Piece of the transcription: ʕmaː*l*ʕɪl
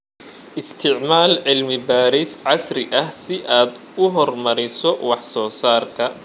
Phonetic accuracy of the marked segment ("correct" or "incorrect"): correct